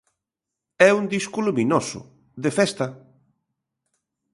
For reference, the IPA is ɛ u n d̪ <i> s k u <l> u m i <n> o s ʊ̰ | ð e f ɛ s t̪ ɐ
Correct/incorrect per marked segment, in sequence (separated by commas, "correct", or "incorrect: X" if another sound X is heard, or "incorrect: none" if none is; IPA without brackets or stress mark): correct, correct, correct